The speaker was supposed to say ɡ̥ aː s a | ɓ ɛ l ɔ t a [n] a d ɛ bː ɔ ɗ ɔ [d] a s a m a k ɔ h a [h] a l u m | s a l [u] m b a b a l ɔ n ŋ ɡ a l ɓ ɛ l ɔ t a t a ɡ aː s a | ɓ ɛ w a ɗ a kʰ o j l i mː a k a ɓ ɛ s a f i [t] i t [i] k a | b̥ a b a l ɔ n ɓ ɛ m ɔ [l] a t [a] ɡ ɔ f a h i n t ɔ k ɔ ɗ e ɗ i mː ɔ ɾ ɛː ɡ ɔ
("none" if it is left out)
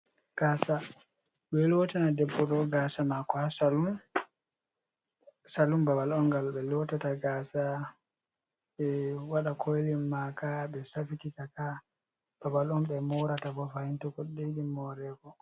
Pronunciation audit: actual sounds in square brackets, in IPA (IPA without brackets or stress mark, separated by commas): n, ɡ, s, u, t, a, ɾ, a